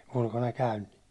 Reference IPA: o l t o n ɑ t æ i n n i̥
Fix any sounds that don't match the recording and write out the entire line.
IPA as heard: u l k o n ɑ k æ y n n i̥

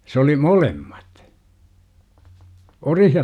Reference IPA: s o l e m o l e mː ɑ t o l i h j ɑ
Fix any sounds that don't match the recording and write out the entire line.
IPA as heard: s o l i m o l e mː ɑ t o r i h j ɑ

